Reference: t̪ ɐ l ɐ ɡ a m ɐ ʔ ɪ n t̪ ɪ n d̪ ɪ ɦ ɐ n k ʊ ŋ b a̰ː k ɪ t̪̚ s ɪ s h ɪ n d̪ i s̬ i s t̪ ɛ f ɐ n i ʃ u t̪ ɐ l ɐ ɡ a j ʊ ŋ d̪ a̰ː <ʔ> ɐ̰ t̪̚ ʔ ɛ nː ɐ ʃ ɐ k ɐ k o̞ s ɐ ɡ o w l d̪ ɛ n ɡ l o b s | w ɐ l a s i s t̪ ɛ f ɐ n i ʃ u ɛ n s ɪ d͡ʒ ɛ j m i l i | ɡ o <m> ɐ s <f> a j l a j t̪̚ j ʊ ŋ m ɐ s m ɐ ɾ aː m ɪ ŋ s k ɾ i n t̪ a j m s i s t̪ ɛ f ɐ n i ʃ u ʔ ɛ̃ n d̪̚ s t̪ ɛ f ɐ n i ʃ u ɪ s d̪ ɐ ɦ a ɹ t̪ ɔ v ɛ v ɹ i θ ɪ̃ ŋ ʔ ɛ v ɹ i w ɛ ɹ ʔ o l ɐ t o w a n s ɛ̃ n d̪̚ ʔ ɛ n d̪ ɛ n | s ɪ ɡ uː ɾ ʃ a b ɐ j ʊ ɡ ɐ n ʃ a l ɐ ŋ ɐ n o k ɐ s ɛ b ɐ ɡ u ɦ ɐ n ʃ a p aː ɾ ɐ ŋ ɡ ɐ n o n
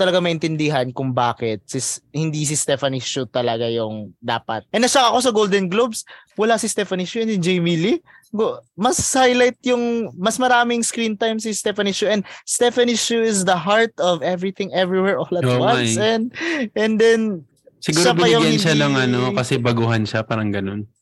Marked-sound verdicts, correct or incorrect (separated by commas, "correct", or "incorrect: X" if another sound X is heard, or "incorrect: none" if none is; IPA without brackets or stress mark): incorrect: p, correct, incorrect: h